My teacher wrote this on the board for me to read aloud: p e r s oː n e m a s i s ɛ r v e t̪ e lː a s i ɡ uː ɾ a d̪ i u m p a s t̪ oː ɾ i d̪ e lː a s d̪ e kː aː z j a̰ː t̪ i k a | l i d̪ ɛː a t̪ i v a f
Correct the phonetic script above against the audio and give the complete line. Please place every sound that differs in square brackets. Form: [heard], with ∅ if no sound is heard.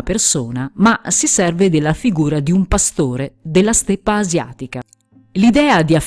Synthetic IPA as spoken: p e r s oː n [a] m a s i s ɛ r v e [d̪] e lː a [f] i ɡ uː ɾ a d̪ i u m p a s t̪ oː ɾ [e] d̪ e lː a s [t̪] e [pː] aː z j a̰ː t̪ i k a | l i d̪ ɛː a [d̪] i [∅] a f